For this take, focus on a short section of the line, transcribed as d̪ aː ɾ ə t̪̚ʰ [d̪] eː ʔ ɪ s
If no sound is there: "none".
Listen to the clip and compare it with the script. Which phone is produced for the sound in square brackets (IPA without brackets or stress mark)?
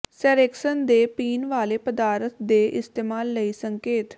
d̪